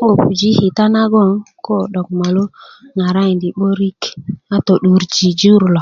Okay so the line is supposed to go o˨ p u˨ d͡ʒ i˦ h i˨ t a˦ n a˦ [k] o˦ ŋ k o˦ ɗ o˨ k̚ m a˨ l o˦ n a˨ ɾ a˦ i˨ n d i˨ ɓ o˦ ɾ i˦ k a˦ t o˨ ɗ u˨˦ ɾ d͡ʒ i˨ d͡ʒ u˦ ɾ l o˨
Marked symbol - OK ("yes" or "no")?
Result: no